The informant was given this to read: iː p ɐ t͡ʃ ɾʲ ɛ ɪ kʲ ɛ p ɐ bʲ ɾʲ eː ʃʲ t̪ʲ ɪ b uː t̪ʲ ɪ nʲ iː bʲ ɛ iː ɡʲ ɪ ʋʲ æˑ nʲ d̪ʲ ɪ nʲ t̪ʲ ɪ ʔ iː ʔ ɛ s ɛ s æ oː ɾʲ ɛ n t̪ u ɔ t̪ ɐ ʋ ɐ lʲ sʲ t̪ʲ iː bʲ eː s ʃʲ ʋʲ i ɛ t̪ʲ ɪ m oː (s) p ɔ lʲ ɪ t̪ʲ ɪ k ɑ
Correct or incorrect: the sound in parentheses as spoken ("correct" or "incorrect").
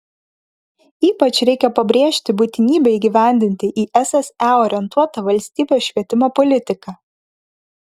incorrect